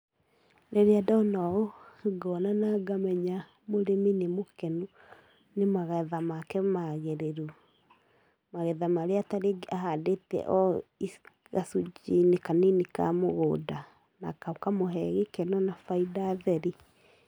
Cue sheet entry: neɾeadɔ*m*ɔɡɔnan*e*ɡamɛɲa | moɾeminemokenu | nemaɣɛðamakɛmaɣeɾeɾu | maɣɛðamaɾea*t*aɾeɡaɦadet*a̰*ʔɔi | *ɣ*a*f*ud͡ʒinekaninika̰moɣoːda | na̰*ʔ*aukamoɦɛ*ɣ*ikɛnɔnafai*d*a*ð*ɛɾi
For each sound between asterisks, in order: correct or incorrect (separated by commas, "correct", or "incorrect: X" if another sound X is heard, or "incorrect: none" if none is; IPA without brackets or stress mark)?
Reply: incorrect: n, incorrect: a, correct, incorrect: ɛ̰, correct, incorrect: s, incorrect: k, correct, correct, correct